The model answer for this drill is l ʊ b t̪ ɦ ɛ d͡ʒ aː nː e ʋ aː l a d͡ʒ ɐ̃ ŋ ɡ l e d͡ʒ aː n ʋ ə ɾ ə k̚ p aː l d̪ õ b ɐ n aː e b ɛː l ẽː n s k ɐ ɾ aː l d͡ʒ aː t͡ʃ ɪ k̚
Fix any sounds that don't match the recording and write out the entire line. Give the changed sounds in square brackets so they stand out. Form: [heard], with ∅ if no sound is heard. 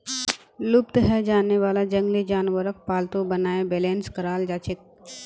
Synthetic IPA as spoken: l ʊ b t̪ ɦ ɛ d͡ʒ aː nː e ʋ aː l a d͡ʒ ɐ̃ ŋ ɡ l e d͡ʒ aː n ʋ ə ɾ ə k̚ p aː l [t̪] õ b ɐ n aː e b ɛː l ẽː n s k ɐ ɾ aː l d͡ʒ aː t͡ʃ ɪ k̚